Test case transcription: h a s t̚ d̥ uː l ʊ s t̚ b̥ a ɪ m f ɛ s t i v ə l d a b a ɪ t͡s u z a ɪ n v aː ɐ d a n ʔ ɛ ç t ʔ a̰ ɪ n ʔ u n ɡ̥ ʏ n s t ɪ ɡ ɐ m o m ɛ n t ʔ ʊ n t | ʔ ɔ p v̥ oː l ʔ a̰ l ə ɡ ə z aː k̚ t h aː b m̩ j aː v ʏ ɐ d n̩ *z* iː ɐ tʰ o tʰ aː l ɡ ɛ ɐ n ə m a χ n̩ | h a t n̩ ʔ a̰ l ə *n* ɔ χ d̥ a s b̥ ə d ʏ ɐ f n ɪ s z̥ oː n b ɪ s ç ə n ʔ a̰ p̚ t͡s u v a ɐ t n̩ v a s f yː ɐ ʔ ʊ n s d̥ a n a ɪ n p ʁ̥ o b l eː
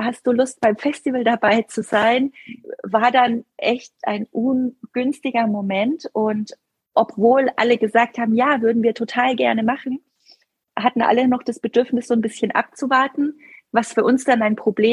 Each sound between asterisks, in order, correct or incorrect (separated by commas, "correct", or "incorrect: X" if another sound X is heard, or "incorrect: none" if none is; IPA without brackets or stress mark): incorrect: v, correct